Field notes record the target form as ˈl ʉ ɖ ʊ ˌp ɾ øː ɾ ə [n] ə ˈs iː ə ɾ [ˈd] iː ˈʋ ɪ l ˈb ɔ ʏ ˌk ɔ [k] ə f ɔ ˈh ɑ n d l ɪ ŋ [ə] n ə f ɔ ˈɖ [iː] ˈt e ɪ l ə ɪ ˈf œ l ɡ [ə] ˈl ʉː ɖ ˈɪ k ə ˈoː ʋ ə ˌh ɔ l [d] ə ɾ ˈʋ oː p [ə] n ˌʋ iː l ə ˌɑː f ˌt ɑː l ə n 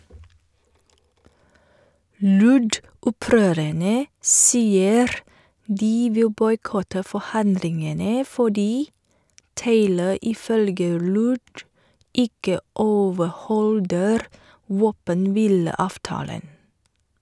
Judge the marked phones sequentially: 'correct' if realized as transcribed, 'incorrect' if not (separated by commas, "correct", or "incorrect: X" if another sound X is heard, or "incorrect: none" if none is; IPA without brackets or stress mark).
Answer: incorrect: ɳ, correct, incorrect: t, correct, correct, correct, correct, correct